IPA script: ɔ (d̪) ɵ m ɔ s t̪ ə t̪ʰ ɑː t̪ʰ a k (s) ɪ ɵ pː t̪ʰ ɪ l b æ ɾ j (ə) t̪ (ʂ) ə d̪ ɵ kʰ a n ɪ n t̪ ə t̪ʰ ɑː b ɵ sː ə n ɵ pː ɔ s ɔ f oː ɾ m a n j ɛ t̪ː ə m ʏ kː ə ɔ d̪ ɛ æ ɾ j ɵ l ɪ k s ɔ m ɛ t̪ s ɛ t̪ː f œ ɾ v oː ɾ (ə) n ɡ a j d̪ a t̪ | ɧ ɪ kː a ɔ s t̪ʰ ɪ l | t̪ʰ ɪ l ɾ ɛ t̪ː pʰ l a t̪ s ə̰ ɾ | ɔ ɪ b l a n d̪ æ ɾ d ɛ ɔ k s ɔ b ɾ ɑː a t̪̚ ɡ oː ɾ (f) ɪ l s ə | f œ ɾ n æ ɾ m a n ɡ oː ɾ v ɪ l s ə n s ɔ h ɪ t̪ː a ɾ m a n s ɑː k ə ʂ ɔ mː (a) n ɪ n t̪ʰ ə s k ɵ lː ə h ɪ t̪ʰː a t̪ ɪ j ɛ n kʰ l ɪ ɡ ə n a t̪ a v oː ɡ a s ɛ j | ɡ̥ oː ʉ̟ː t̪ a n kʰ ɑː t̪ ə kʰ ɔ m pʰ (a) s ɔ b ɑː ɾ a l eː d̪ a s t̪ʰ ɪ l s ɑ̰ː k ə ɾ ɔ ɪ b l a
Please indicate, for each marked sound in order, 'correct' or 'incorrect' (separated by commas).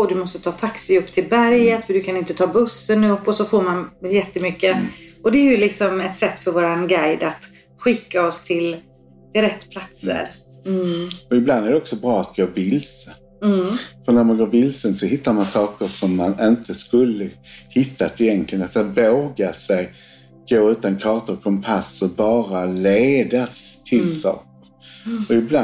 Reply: correct, correct, correct, incorrect, incorrect, incorrect, correct, correct